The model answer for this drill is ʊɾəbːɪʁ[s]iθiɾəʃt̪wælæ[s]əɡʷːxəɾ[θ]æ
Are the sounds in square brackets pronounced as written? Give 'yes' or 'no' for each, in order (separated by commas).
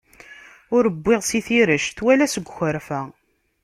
yes, yes, no